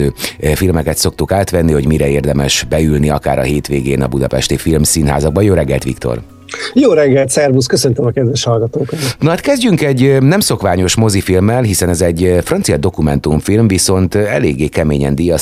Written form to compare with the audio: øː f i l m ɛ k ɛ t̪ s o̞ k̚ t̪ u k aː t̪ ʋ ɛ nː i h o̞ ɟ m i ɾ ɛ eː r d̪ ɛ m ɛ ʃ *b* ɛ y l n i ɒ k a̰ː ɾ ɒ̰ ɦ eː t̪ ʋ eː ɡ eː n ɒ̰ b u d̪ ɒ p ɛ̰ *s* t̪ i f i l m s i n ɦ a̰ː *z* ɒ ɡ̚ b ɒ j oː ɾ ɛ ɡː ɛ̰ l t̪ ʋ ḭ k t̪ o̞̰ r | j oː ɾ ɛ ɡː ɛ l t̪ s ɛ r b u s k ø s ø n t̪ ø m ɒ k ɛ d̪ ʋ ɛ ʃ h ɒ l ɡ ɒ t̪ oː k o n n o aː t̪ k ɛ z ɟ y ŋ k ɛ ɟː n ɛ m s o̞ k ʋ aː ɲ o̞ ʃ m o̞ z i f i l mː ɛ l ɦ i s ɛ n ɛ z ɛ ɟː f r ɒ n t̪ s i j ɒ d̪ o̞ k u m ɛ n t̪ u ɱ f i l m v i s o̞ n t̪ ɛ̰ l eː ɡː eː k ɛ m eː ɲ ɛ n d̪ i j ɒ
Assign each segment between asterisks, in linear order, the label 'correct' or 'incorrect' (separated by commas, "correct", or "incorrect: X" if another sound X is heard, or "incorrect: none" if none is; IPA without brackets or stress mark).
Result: correct, incorrect: ʃ, correct